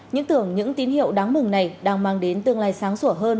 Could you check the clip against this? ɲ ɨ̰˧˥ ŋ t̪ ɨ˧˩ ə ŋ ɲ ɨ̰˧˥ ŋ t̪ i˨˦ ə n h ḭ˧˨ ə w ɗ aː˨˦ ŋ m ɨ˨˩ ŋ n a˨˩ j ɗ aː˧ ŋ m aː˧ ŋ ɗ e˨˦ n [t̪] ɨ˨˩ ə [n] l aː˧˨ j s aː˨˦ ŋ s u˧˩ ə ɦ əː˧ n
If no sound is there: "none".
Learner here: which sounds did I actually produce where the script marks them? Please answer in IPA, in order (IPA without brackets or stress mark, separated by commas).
t̪, ŋ